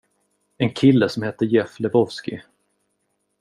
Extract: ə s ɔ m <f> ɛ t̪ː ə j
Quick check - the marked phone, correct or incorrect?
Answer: incorrect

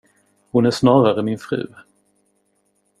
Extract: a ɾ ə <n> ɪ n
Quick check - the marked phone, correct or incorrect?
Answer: incorrect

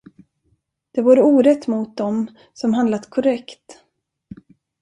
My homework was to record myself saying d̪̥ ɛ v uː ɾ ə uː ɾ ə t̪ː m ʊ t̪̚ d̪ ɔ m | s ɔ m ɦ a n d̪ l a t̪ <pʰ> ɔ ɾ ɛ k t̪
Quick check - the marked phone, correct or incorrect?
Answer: incorrect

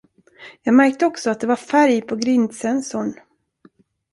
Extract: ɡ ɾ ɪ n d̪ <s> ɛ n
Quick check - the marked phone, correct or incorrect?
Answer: correct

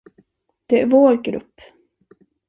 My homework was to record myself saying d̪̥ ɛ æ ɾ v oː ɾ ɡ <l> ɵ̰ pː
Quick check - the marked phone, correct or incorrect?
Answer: incorrect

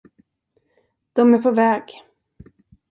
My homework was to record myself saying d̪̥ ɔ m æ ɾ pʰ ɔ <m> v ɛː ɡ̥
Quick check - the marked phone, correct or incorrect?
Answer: incorrect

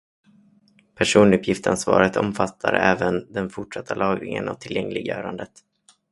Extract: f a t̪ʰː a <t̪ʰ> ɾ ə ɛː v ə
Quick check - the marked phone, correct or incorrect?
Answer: incorrect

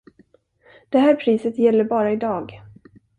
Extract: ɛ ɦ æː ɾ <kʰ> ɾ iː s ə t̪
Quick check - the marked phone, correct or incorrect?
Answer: incorrect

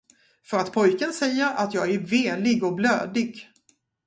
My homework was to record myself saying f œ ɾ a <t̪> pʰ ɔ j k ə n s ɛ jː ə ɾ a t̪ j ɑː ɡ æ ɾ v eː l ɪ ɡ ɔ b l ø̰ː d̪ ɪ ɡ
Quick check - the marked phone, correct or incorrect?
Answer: correct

